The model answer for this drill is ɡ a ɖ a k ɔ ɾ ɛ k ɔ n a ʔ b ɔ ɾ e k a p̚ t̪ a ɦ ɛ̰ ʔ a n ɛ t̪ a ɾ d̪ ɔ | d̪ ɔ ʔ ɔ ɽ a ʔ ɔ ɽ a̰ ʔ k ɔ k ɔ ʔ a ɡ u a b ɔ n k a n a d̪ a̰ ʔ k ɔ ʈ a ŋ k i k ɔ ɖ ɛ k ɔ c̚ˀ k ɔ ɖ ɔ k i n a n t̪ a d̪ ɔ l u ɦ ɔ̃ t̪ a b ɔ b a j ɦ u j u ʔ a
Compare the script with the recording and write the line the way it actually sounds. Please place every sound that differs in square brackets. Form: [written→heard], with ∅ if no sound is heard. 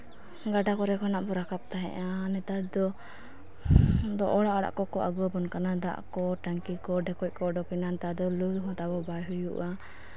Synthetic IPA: ɡ a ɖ a k ɔ ɾ ɛ k ɔ n a ʔ b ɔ ɾ [e→a] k a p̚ t̪ a ɦ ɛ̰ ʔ a n ɛ t̪ a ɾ d̪ ɔ | d̪ ɔ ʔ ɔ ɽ a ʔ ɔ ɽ a̰ ʔ k ɔ k ɔ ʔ a ɡ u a b ɔ n k a n a d̪ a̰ ʔ k ɔ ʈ a ŋ k i k ɔ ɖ ɛ k ɔ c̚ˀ k ɔ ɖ ɔ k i n a n t̪ a d̪ ɔ l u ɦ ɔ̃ t̪ a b ɔ b a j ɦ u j u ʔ a